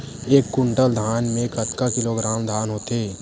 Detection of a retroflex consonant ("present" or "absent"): present